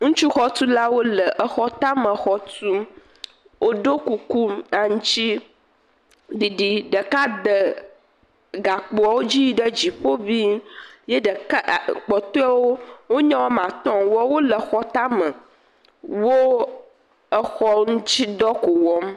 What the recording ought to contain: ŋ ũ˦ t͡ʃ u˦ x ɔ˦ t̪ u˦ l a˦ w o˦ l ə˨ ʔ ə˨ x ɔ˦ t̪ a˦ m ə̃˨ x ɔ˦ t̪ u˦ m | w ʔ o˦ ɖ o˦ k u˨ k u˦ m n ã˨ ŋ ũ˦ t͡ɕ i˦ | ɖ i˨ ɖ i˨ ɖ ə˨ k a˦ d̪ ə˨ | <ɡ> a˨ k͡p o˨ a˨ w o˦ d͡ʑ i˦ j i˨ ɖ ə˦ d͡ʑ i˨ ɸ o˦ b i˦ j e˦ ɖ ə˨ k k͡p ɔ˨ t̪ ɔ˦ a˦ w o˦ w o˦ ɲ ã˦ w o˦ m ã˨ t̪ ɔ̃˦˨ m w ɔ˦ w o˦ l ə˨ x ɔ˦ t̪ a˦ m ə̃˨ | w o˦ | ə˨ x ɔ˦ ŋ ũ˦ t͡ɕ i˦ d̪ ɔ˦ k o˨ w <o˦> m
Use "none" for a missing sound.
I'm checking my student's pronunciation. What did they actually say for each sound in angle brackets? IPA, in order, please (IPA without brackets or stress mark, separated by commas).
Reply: ɡ, ɔ˦